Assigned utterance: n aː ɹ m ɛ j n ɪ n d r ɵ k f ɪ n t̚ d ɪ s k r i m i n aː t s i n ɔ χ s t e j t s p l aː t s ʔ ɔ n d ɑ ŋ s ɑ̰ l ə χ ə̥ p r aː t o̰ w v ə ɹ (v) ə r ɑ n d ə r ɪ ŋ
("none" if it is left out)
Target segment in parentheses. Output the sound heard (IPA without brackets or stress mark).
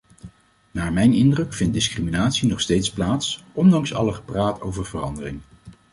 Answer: v